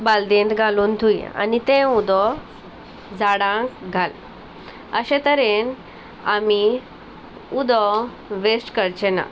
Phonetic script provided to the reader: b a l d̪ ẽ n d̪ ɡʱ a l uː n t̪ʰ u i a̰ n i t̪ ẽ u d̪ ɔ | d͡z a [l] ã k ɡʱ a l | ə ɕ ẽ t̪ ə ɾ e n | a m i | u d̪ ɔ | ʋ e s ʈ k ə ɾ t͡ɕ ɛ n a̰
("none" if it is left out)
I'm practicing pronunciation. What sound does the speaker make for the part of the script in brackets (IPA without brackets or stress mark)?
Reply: ɽ